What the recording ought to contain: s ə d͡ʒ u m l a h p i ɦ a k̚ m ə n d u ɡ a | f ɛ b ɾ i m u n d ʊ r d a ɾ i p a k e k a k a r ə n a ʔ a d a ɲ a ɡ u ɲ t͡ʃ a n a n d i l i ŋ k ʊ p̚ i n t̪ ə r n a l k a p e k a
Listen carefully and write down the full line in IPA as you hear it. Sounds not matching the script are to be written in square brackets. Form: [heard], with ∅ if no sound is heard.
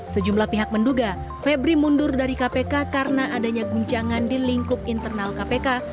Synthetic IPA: s ə d͡ʒ u m l a h p i ɦ a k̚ m ə n d u ɡ a | f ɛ b ɾ i m u n d ʊ r d a ɾ i [k] a [p] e k a k a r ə n a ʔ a d a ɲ a ɡ u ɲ t͡ʃ a [ŋ] a n d i l i ŋ k ʊ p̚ i n t̪ ə r n a l k a p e k a

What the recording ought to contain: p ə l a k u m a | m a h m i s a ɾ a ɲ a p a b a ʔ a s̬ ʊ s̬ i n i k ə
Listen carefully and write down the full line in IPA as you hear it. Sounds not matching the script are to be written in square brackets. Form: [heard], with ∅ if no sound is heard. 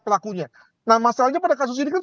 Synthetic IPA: p ə l a k u [ɲ] a | [n] a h m [a] s a [l] a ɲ a p a [d] a [k] a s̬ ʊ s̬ i n i k [a]

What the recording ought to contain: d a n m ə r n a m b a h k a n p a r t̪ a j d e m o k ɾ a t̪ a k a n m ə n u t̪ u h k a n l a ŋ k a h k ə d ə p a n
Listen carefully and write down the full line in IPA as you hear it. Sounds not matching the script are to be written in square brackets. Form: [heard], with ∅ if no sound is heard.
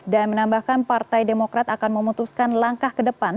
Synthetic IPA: d a n m ə [∅] n a m b a h k a n p a r t̪ a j d e m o k ɾ a t̪ a k a n m ə [m] u t̪ u [s] k a n l a ŋ k a h k ə d ə p a n

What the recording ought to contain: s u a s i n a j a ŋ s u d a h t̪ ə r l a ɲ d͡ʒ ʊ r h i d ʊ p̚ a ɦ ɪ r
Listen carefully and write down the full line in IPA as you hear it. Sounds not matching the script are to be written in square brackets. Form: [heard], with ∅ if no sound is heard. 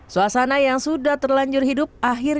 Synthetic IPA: s u a s [a] n a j a ŋ s u d a h t̪ ə r l a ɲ d͡ʒ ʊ r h i d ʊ p̚ a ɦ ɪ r

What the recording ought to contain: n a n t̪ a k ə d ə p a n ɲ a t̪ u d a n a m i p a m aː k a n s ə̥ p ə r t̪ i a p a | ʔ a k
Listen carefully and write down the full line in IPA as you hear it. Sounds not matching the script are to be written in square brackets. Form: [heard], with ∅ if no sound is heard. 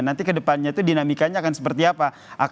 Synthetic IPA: n a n t̪ [i] k ə d ə p a n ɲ a t̪ u d [i] n a m i [k] a [ɲ] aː k a n s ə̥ p ə r t̪ i a p a | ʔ a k

